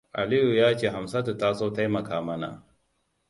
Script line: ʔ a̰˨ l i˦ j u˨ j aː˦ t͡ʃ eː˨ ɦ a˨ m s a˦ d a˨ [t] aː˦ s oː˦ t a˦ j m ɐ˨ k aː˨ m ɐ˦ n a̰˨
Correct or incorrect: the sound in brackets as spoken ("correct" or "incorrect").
correct